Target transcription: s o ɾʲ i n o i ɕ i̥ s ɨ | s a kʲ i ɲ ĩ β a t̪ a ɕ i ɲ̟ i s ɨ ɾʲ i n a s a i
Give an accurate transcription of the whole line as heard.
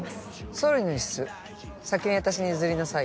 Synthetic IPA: s o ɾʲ i n o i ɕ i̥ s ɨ | s a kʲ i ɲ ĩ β a t̪ a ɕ i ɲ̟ i z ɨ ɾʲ i n a s a i